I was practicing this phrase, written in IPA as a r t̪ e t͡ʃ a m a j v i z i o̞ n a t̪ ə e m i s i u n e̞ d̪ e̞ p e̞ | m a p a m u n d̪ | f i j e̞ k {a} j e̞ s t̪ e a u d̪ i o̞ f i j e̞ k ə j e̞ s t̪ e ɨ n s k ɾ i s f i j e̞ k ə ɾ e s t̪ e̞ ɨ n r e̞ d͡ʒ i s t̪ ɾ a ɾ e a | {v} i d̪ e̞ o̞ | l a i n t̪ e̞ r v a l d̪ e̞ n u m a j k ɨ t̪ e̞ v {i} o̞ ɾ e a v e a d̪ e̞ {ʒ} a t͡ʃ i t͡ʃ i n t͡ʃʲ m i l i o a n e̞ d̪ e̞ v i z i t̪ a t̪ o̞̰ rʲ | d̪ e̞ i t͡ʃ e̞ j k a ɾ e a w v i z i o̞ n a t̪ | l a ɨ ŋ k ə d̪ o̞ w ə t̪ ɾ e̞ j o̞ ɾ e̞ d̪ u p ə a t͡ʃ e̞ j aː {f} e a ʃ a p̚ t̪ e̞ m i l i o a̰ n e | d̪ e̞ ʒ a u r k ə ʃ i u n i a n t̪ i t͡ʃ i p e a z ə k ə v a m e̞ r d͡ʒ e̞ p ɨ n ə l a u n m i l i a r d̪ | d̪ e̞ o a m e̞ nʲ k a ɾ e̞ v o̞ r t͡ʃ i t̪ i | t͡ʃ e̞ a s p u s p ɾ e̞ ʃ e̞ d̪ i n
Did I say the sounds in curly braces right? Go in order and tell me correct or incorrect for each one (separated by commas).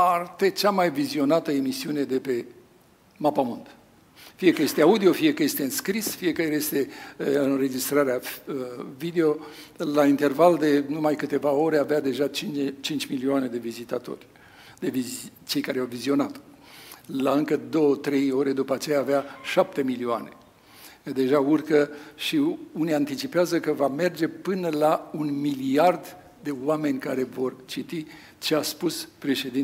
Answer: incorrect, correct, incorrect, correct, incorrect